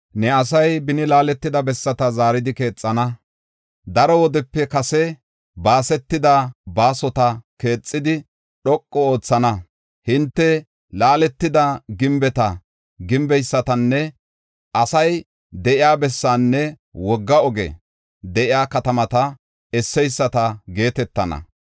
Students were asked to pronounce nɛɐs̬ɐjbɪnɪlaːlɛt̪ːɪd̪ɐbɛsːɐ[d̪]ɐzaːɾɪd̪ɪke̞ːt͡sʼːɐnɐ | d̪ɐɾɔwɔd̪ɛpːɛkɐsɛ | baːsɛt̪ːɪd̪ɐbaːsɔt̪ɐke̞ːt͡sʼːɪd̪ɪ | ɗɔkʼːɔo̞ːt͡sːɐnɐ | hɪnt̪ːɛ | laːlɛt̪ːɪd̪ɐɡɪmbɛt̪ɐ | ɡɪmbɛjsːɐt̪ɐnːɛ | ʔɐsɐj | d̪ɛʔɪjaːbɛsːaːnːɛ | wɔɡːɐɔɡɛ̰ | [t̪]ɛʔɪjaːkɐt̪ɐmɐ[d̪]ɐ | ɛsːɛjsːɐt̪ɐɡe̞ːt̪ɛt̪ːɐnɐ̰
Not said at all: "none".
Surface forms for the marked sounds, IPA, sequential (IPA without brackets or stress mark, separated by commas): t̪, d̪, t̪